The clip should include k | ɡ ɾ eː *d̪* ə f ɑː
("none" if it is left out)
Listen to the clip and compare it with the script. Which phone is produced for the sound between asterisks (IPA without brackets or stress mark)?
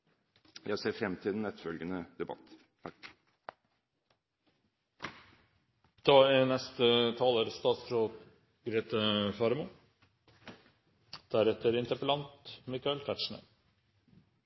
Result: t̪